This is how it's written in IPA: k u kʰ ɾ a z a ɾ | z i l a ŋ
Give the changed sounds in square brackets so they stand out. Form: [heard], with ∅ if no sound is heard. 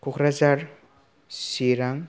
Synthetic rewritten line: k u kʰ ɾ a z a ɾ | [s] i [ɾ] a ŋ

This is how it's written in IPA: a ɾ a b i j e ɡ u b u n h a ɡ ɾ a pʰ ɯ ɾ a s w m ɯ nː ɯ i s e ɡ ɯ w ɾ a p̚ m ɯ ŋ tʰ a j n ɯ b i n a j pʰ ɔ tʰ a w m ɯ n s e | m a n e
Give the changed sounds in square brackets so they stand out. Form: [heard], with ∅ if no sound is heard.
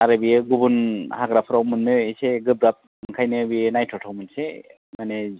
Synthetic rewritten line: a ɾ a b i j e ɡ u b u n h a ɡ ɾ a pʰ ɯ ɾ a [∅] w m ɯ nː ɯ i s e ɡ ɯ [b] ɾ a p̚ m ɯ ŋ [kʰ] a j n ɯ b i n a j [tʰ] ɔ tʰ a w m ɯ n s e | m a n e

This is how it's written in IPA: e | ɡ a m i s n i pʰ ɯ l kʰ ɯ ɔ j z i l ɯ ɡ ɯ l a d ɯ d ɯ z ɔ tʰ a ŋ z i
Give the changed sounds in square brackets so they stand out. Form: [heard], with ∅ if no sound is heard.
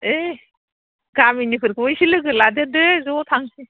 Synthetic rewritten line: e | ɡ a m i [∅] n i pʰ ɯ [ɾ] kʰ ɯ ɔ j [s] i l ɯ ɡ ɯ l a d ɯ d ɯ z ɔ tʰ a ŋ [s] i

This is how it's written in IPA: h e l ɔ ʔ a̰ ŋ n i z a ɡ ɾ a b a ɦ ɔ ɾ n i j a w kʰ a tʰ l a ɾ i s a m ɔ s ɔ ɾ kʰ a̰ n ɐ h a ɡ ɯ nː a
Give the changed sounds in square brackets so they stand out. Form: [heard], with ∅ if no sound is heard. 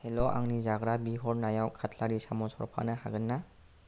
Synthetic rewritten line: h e l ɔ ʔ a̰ ŋ n i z a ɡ ɾ a b [i] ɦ ɔ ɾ n [a] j a w kʰ a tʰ l a ɾ i s a m ɔ s ɔ ɾ [pʰ] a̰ n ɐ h a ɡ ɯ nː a

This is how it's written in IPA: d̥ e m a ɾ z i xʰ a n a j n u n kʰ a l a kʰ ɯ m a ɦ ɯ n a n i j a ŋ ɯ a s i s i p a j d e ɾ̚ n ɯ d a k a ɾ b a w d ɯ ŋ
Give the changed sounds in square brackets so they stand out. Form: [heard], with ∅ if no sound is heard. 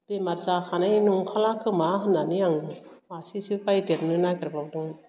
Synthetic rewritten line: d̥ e m a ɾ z [a] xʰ a n a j n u [ŋ] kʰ a l a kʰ ɯ m a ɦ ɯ n a n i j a ŋ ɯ a s i s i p a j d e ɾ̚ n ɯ [n] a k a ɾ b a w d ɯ ŋ

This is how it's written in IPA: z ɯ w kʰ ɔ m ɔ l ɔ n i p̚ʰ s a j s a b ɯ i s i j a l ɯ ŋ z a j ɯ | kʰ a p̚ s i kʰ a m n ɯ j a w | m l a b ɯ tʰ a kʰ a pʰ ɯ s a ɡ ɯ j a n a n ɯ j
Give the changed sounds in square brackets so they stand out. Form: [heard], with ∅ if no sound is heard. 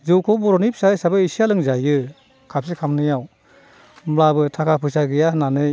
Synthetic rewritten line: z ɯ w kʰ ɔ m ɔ [ɾ] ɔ n i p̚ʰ s a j s a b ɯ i s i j a l ɯ ŋ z a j ɯ | kʰ a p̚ s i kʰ a m n ɯ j a w | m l a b ɯ tʰ a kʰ a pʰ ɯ s a ɡ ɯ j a n a n ɯ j

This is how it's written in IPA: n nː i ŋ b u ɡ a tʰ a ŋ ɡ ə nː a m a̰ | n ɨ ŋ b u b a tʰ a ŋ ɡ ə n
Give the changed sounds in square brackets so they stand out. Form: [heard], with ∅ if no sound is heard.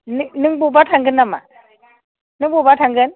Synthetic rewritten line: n [n] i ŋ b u [b] a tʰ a ŋ ɡ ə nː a m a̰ | n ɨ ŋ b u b a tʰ a ŋ ɡ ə n

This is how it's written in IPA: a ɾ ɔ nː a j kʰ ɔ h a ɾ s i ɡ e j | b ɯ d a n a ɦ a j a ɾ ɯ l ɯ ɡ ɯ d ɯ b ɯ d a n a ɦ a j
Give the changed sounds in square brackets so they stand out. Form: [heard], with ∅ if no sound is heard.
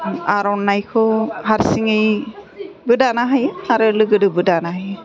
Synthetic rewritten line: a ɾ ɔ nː a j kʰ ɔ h a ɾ s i [ŋ] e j | b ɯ d a n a ɦ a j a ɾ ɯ l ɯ ɡ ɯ d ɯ b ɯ d a n a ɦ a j

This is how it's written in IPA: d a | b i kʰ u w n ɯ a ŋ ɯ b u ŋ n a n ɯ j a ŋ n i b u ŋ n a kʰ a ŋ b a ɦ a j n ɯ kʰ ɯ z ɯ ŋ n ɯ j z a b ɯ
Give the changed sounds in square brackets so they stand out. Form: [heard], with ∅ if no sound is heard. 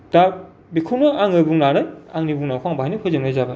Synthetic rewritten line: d a | b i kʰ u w n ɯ a ŋ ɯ b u ŋ n a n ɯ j a ŋ n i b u ŋ n a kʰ a ŋ b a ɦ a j n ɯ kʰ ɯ z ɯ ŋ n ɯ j z a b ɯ

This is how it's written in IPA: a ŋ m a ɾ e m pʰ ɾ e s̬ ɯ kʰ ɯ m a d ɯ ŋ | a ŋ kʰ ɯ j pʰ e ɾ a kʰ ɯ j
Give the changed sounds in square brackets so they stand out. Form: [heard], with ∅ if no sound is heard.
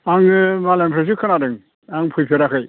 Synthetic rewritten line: a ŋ m a [l] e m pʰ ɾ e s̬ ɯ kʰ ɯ [n] a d ɯ ŋ | a ŋ [pʰ] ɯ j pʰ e ɾ a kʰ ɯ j

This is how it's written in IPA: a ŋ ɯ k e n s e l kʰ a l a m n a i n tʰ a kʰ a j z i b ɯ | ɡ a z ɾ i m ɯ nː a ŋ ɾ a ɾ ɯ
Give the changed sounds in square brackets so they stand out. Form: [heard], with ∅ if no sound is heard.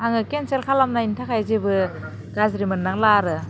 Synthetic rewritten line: a ŋ ɯ k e n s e l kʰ a l a m n a i n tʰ a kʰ a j z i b ɯ | ɡ a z ɾ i m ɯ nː a ŋ [l] a ɾ ɯ

